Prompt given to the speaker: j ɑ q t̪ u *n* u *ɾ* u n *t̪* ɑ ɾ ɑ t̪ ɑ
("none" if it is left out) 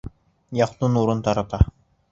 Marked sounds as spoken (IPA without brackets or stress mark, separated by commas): n, ɾ, t̪